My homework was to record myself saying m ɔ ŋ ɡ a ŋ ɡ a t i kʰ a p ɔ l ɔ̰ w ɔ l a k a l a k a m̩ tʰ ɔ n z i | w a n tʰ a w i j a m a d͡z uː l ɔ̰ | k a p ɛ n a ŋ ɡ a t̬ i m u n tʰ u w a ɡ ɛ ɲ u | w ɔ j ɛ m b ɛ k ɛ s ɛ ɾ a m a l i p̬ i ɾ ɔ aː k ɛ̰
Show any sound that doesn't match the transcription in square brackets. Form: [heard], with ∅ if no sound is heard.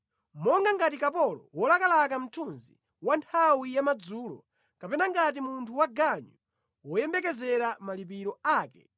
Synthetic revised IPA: m ɔ ŋ ɡ a ŋ ɡ a t i [k] a p ɔ l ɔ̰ w ɔ l a k a l a k a m̩ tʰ [u] n z i | w a n tʰ a w i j a m a d͡z uː l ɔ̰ | k a p ɛ n a ŋ ɡ a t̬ i m u n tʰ u w a ɡ [a] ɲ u | w ɔ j ɛ m b ɛ k ɛ [z] ɛ ɾ a m a l i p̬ i ɾ ɔ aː k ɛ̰